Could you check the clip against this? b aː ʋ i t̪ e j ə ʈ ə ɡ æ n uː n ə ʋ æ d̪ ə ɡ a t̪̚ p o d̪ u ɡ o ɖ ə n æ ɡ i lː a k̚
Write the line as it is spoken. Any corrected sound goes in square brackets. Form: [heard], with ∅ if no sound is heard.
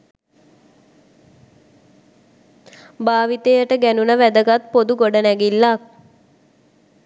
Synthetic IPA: b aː ʋ i t̪ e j ə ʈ ə ɡ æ n [u] n ə ʋ æ d̪ ə ɡ a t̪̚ p o d̪ u ɡ o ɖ ə n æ ɡ i lː a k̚